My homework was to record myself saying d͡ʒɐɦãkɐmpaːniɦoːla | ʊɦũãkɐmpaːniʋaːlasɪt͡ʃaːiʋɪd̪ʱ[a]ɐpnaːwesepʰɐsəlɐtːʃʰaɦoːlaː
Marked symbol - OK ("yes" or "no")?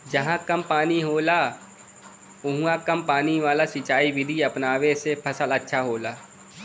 no